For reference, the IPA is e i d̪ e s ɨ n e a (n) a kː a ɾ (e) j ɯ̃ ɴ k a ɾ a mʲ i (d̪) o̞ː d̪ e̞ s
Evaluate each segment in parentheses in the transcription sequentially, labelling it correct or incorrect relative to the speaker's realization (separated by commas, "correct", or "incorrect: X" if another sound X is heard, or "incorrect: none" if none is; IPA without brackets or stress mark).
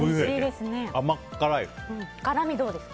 incorrect: m, incorrect: a, correct